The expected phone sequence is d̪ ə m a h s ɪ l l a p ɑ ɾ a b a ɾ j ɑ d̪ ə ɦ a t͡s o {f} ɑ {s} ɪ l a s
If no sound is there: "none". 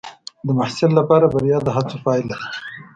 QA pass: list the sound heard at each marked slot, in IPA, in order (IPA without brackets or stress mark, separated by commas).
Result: f, none